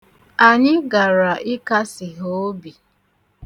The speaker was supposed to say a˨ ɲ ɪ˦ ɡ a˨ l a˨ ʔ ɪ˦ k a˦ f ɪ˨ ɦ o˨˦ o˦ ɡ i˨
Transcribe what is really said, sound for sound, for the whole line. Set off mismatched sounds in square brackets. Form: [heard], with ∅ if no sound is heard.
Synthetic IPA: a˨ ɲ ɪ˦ ɡ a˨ [ɾ] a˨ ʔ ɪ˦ k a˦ [s] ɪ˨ ɦ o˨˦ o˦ [b] i˨